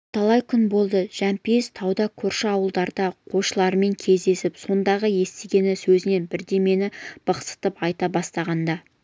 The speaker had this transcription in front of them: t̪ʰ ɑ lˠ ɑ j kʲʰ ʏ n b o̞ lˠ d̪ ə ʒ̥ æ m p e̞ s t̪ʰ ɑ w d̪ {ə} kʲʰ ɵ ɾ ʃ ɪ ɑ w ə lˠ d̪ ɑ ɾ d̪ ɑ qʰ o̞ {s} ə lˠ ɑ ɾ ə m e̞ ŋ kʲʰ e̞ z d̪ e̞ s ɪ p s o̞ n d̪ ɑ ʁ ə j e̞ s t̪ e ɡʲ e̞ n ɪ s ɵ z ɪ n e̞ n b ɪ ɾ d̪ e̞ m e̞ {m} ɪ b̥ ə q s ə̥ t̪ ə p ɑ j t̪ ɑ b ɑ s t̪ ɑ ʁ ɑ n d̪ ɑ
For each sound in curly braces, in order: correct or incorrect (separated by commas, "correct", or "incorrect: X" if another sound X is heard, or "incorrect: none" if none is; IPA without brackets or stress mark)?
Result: incorrect: ɑ, incorrect: ʃ, incorrect: n